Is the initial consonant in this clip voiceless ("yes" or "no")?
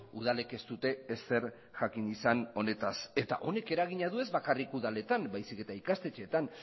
no